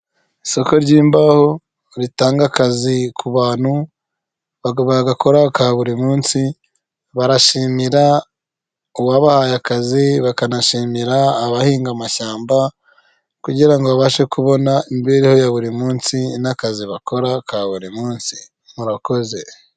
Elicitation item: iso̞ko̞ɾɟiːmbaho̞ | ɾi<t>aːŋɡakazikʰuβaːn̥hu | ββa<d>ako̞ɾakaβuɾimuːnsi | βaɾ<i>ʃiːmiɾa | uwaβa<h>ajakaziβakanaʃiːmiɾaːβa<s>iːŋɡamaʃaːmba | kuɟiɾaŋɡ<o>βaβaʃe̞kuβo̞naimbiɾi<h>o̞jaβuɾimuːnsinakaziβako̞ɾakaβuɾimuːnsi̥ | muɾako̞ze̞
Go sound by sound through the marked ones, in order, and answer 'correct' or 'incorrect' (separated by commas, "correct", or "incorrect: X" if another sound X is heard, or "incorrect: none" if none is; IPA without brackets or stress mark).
correct, incorrect: ɡ, incorrect: a, correct, incorrect: h, correct, correct